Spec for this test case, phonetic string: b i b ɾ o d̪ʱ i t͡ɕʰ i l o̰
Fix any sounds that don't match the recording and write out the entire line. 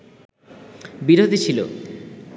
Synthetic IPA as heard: b i ɾ o d̪ʱ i t͡ɕʰ i l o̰